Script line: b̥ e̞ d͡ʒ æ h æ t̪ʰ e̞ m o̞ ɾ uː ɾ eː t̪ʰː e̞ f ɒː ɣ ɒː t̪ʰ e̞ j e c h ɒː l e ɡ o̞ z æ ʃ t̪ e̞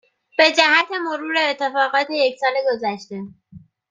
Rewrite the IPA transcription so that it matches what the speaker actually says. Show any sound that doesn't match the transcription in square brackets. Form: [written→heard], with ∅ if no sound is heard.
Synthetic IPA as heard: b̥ e̞ d͡ʒ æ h æ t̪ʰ e̞ m o̞ ɾ uː ɾ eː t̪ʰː e̞ f ɒː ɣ ɒː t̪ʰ e̞ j e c [h→s] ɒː l e ɡ o̞ z æ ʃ t̪ e̞